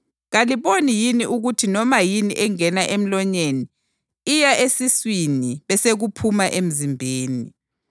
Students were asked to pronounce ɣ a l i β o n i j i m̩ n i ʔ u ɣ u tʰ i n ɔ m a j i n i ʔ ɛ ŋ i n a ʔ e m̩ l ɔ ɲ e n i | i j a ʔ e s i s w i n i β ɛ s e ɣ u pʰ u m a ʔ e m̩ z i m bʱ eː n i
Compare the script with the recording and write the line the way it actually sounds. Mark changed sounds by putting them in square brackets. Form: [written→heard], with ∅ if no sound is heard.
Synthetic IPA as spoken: ɣ a l i β o n i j i [m̩→∅] n i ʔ u ɣ u tʰ i n ɔ m a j i n i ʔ ɛ ŋ [i→ɛ] n a ʔ e m̩ l ɔ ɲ e n i | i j a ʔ e s i s w i n i β ɛ s e ɣ u pʰ u m a ʔ e m̩ z i m bʱ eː n i